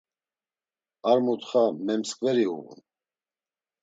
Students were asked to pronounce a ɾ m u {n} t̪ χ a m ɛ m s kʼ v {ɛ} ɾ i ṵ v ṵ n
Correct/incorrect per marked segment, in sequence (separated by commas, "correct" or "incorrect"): incorrect, correct